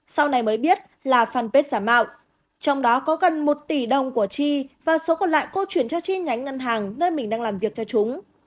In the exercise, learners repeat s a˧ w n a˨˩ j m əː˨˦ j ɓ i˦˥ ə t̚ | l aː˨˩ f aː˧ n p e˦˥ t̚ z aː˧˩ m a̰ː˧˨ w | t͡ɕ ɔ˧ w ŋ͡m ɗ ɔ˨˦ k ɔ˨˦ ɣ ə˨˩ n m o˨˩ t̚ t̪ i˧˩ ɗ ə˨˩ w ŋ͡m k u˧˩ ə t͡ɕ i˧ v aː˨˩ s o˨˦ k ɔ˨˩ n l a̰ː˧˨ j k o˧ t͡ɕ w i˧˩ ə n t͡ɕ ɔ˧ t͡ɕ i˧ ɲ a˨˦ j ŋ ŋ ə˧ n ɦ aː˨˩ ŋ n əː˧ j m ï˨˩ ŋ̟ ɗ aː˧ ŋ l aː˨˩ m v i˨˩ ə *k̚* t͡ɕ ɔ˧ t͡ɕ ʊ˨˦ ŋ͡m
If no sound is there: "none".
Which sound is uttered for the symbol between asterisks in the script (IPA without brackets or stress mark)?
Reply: k̚